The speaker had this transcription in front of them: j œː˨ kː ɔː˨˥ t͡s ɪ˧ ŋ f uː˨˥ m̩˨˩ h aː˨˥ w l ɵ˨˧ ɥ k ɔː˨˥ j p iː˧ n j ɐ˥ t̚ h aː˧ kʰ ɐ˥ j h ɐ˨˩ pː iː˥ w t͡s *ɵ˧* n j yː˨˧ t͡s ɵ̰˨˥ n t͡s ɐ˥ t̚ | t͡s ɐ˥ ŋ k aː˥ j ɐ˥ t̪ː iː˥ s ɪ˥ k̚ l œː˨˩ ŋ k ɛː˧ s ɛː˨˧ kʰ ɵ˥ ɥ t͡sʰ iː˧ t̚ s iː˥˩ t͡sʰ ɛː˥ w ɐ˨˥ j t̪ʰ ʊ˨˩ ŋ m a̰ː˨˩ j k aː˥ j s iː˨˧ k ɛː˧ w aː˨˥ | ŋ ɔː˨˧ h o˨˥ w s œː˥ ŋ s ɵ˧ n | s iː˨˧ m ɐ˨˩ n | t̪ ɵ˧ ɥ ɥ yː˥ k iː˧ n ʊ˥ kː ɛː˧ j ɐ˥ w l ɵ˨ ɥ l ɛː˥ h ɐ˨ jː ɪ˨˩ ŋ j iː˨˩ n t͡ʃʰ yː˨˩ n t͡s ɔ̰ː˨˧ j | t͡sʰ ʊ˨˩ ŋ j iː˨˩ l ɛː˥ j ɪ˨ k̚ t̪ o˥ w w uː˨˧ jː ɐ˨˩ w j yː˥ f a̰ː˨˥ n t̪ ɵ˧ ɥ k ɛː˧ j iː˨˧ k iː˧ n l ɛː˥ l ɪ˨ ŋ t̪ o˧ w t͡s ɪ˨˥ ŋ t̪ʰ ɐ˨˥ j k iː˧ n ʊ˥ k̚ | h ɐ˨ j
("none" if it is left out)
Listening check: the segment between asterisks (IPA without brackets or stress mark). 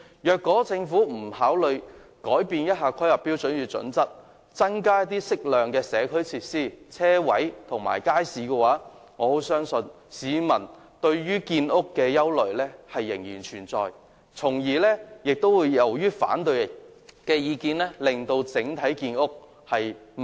ɵ˨˥